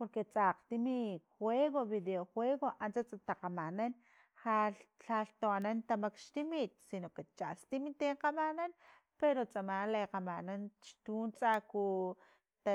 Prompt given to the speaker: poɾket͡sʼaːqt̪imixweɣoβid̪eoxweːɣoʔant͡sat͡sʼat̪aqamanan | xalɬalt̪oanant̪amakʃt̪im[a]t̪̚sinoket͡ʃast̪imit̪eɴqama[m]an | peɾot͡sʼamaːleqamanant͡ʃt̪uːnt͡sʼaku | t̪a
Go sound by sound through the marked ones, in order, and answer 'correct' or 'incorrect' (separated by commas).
incorrect, incorrect